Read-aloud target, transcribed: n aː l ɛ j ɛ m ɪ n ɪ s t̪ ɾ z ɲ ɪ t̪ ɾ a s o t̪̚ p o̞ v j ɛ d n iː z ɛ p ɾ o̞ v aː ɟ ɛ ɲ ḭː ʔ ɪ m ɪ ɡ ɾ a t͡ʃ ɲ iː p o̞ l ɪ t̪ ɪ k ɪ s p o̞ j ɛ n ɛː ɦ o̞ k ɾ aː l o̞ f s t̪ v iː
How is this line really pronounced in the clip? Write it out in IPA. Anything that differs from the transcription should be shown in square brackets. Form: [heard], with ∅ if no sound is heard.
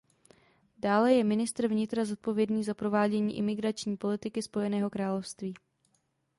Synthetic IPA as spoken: [d] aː l ɛ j ɛ m ɪ n ɪ s t̪ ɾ [v] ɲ ɪ t̪ ɾ a [z] o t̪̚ p o̞ v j ɛ d n iː z [a] p ɾ o̞ v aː ɟ ɛ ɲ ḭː ʔ ɪ m ɪ ɡ ɾ a t͡ʃ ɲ iː p o̞ l ɪ t̪ ɪ k ɪ s p o̞ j ɛ n ɛː ɦ o̞ k ɾ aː l o̞ f s t̪ v iː